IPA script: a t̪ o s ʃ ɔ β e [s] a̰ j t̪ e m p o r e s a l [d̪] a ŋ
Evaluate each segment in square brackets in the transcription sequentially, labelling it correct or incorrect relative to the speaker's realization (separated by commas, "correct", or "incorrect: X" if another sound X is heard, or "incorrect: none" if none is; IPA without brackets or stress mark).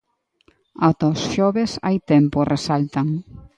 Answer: correct, incorrect: t̪